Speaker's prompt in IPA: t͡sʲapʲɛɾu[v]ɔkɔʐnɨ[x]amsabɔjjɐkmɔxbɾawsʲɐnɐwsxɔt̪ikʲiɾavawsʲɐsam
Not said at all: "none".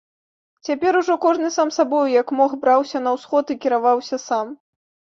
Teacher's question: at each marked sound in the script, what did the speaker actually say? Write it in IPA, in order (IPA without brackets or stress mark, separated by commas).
ʐ, s